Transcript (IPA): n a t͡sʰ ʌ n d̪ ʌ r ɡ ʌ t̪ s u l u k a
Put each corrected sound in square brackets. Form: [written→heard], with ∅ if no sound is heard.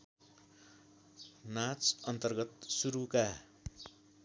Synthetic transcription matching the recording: n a [t͡sʰ→t͡s] ʌ n [d̪→t̪] ʌ r ɡ ʌ t̪ s u [l→ɾ] u k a

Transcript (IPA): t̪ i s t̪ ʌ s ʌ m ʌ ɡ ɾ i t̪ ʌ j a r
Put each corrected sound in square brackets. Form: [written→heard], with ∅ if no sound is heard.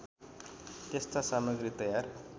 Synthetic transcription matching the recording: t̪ [i→e] s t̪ [ʌ→a] s [ʌ→a] m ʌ ɡ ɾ i t̪ ʌ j a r

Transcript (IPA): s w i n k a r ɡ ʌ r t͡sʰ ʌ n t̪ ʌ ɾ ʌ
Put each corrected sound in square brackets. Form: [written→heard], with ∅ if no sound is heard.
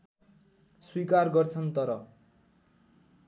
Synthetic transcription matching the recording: s w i [n→∅] k a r ɡ ʌ r t͡sʰ ʌ n t̪ ʌ ɾ ʌ

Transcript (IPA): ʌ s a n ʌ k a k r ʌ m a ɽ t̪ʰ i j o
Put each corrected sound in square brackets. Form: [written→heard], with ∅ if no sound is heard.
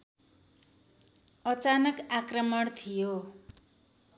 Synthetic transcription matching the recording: ʌ [s→t͡s] a n ʌ k a k r ʌ m [a→ʌ] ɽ t̪ʰ i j o

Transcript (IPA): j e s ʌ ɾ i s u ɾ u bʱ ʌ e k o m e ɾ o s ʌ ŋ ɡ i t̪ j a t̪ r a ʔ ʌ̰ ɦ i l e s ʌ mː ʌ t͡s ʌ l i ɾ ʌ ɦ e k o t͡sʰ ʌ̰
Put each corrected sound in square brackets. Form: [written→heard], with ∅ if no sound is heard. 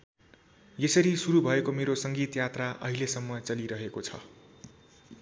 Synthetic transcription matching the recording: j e s ʌ ɾ i s u ɾ u bʱ ʌ e k o m e ɾ o s ʌ ŋ ɡ i t̪ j a t̪ r a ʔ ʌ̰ ɦ i l e s ʌ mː ʌ t͡s ʌ l i ɾ ʌ ɦ e k o t͡sʰ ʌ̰

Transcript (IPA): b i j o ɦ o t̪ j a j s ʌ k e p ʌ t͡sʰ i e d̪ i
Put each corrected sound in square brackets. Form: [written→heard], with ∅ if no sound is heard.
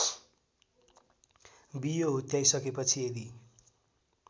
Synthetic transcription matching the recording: b i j o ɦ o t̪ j a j s ʌ k e p ʌ t͡sʰ i e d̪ i

